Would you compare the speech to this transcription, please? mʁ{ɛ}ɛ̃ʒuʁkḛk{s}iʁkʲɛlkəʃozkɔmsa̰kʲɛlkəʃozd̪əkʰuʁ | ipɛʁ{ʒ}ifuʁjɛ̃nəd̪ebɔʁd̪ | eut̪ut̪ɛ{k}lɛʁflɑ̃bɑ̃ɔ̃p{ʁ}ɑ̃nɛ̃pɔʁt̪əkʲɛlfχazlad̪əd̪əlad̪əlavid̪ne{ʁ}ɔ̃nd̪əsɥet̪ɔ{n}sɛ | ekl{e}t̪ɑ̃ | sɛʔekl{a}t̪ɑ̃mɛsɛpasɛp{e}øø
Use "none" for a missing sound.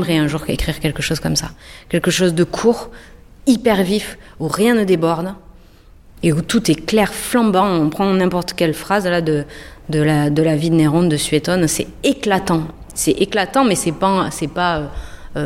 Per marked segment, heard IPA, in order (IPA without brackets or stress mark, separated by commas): ɛ, χ, v, k, χ, ʁ, n, a, a, a